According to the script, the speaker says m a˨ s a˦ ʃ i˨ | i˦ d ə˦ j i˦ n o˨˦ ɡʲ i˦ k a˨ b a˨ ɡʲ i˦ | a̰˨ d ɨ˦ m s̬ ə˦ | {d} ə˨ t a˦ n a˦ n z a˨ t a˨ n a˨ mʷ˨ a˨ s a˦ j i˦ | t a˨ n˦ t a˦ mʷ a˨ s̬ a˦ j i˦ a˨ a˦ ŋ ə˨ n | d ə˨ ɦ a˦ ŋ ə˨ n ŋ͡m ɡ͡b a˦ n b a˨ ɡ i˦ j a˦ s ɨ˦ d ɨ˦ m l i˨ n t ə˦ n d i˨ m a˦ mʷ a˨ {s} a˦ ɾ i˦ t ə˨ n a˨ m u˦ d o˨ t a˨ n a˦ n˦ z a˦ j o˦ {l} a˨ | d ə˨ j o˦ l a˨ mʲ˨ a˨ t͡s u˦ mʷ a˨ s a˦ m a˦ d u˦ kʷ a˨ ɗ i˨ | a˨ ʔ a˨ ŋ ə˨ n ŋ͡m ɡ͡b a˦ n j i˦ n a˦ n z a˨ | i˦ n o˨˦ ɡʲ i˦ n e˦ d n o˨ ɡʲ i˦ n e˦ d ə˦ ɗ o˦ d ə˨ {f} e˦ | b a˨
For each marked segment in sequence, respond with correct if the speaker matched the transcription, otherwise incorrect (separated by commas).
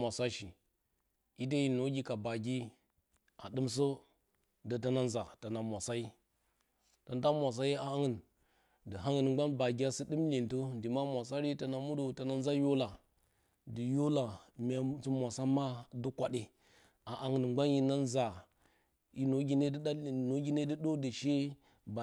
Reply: correct, correct, correct, incorrect